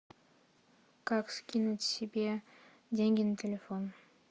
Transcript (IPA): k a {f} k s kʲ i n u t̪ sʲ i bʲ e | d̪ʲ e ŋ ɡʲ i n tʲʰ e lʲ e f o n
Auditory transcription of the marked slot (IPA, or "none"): none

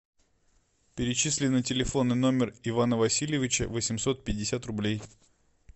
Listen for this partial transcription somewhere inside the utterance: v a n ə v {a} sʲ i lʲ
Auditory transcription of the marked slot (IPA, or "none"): ɐ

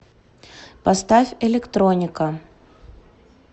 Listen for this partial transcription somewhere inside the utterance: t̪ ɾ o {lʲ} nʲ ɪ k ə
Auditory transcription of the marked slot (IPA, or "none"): none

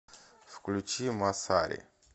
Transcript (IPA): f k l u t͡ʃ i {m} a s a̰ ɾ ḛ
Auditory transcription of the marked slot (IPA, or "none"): m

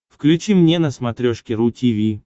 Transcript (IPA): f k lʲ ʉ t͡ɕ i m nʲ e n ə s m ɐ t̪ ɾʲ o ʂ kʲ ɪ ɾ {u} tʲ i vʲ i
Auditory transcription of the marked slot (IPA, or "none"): u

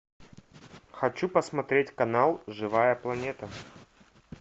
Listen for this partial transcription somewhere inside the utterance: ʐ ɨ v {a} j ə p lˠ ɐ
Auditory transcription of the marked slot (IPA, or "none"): a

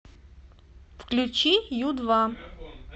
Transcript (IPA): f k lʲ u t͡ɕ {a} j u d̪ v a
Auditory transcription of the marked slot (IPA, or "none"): i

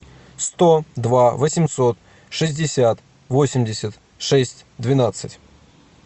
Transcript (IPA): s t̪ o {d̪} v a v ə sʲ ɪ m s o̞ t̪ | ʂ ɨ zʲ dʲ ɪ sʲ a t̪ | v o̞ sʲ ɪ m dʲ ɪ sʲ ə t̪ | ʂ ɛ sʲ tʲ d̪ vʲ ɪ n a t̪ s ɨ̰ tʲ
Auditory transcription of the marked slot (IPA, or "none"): d̪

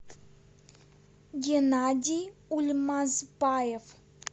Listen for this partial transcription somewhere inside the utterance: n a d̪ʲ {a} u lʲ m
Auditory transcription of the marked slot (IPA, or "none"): i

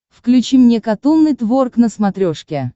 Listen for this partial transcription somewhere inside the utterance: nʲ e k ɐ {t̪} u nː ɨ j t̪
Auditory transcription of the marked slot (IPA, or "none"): t̪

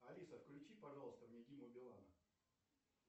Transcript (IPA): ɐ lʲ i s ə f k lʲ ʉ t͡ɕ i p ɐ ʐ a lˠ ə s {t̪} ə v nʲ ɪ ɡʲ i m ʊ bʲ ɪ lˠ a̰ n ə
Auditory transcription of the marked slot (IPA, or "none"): t̪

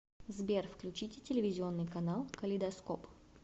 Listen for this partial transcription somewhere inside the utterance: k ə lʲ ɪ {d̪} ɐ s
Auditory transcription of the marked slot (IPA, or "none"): d̪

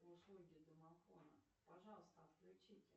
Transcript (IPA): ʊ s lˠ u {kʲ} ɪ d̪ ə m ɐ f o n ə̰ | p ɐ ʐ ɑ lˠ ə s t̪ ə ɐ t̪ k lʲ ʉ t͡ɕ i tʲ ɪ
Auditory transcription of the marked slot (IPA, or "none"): ɡʲ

